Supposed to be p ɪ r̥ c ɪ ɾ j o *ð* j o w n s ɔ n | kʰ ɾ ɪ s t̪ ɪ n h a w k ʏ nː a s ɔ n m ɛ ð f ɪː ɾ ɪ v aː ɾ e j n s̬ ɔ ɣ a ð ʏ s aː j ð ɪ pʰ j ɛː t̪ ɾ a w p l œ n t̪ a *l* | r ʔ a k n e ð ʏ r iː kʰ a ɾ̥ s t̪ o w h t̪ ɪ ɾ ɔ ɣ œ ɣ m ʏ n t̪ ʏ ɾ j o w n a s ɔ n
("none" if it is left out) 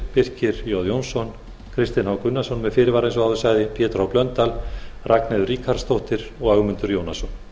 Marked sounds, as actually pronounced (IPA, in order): ð, l

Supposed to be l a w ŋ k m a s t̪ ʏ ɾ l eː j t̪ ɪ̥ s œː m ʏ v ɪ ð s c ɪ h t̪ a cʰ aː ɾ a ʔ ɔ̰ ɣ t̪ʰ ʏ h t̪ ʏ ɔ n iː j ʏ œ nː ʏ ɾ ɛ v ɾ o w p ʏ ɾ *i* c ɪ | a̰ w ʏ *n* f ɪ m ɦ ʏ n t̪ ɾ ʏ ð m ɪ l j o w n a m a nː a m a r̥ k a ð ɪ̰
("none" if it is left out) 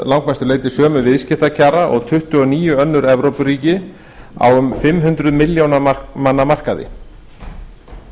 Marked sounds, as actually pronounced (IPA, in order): iː, m

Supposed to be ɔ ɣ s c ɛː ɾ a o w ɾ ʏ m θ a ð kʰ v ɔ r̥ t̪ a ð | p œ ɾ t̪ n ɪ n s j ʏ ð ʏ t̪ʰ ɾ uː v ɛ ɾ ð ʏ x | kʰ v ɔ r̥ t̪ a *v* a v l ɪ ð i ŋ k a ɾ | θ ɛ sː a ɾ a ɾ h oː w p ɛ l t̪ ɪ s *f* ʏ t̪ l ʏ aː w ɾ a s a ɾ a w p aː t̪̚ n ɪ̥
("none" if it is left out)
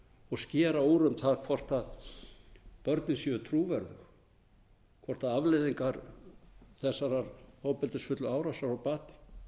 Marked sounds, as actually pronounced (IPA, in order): ð, f

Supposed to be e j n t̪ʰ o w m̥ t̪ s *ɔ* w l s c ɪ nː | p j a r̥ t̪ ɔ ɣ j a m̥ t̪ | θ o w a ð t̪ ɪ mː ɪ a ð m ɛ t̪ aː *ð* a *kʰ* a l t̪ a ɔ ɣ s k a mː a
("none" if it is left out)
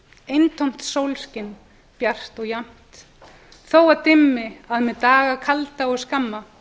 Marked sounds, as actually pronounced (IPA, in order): o, ɣ, kʰ

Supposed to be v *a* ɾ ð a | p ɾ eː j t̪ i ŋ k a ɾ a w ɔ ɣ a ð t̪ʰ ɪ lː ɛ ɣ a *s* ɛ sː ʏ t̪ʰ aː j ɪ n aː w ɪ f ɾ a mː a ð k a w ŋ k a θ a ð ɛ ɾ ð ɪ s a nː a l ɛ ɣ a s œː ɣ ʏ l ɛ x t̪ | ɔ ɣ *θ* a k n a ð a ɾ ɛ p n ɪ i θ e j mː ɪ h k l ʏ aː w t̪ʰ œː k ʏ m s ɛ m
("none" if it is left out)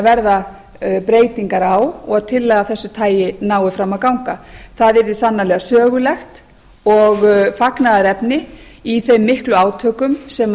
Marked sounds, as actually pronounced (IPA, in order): ɛ, θ, f

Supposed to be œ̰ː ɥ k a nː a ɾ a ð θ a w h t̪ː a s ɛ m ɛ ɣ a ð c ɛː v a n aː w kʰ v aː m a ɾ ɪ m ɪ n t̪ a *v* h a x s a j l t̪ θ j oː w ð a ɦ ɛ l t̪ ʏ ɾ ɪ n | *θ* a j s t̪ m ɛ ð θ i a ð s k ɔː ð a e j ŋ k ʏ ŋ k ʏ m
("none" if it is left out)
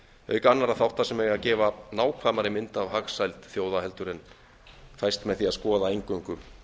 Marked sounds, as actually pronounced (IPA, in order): v, θ

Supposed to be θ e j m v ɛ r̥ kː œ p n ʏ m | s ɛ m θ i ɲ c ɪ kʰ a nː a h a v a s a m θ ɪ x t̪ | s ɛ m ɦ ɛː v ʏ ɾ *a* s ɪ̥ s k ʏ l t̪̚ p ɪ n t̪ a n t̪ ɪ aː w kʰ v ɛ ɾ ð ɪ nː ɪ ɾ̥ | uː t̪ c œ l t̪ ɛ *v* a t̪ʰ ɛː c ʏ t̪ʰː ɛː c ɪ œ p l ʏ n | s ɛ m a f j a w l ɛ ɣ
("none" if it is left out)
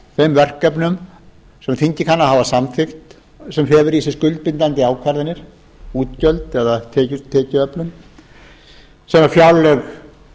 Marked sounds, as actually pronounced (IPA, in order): i, ð

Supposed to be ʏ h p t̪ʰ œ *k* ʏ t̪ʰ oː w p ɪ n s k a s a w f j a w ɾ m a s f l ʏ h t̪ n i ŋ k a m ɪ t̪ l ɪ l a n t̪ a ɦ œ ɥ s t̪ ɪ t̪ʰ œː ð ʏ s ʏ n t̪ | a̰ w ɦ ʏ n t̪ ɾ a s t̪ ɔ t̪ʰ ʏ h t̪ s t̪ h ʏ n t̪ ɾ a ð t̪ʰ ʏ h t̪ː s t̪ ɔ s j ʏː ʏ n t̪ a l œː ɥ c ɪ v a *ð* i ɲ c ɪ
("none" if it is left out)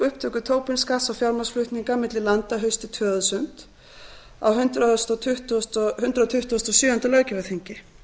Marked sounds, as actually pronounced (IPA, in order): k, θ

